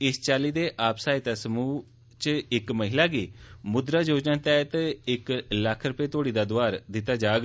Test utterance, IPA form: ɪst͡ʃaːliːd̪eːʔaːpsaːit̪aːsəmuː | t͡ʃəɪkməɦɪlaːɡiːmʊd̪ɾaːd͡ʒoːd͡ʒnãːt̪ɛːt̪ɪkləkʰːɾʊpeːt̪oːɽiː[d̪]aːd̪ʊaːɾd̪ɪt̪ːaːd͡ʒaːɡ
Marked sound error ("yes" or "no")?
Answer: no